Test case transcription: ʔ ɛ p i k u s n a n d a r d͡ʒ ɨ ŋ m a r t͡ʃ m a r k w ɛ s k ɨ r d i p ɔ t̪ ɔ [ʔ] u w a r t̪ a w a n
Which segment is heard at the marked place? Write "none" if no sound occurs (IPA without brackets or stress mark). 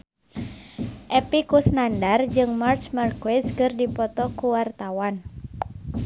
k